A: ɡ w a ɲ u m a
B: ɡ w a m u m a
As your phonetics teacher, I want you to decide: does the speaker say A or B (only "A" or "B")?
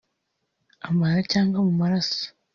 B